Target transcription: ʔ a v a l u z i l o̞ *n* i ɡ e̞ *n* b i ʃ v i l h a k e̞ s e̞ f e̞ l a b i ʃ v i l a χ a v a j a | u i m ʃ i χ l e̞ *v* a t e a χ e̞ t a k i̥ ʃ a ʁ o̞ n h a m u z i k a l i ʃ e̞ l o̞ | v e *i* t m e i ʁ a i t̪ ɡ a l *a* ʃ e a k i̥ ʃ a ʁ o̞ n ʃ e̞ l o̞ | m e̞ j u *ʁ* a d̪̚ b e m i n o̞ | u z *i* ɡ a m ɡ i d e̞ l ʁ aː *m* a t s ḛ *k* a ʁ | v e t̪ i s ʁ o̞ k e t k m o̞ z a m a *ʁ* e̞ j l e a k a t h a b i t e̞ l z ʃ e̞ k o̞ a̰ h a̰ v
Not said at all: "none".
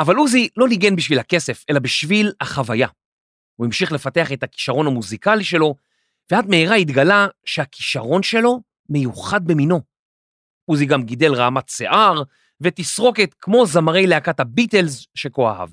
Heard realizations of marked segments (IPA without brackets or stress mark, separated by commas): n, n, f, a, a, χ, i, m, ʔ, ʁ